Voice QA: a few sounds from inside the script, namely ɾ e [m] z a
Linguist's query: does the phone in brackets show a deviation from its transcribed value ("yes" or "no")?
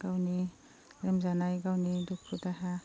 no